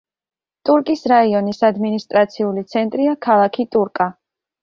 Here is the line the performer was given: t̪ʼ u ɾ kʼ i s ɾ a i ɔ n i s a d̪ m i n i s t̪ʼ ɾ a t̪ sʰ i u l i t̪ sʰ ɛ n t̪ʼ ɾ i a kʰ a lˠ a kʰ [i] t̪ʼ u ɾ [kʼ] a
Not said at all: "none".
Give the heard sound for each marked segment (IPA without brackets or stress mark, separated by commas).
i, kʼ